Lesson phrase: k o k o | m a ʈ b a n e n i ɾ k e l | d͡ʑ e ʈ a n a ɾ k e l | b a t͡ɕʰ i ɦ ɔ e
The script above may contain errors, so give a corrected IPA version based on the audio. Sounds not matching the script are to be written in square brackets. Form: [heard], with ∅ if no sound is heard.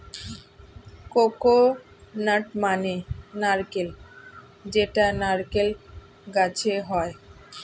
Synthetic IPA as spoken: k o k o | [n] a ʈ [m] a n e n [a] ɾ k e l | d͡ʑ e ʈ a n a ɾ k e l | [ɡ] a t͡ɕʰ [e] ɦ ɔ e